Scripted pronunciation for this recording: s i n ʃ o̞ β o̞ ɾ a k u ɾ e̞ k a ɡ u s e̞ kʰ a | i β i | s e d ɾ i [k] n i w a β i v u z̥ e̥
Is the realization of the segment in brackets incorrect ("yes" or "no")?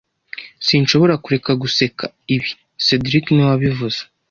no